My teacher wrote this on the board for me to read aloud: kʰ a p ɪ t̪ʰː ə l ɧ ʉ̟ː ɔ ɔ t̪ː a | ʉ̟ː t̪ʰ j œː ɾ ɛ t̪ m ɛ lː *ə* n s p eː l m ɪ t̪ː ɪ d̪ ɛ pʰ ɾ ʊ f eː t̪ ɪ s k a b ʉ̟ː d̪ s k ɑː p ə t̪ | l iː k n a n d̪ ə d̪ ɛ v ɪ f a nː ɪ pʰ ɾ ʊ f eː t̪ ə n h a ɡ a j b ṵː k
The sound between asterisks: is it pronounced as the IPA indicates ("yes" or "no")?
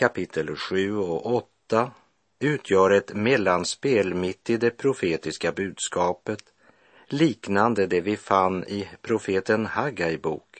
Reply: no